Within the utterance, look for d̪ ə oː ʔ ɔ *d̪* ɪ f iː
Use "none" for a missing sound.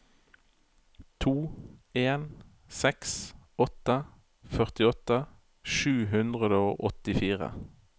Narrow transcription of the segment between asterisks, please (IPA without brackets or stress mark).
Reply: t̪